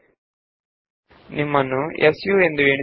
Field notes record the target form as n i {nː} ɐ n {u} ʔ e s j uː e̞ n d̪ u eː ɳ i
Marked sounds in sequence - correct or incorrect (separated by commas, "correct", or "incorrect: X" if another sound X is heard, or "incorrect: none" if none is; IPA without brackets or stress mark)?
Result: incorrect: mː, correct